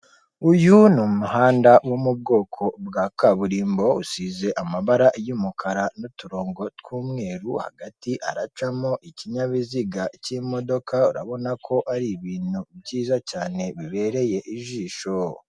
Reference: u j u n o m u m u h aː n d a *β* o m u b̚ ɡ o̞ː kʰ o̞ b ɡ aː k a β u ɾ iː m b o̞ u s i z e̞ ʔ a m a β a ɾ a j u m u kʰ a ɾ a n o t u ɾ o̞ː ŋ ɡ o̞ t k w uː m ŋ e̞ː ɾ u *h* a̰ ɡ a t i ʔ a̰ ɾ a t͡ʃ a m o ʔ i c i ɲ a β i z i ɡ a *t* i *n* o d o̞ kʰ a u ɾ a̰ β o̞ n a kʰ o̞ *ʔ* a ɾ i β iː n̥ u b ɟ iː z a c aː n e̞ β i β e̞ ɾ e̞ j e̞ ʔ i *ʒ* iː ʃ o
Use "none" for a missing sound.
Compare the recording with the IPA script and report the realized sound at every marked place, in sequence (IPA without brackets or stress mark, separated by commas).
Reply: w, h, c, m, ʔ, ʒ